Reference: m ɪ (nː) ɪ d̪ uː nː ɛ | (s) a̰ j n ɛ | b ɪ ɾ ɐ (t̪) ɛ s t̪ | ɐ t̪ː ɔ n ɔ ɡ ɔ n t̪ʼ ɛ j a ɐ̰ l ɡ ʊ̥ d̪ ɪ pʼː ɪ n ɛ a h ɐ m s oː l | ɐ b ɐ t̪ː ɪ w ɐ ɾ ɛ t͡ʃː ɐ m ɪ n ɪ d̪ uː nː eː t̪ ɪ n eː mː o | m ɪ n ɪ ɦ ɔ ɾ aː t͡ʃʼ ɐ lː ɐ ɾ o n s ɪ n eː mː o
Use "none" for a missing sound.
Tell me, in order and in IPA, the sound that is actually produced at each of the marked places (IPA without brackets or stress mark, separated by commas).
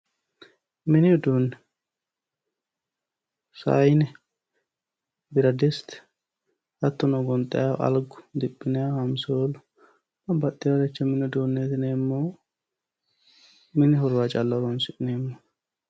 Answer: n, s, d̪